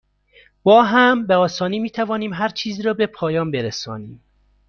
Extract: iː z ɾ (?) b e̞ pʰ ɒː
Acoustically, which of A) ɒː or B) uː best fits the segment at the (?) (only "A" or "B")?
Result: A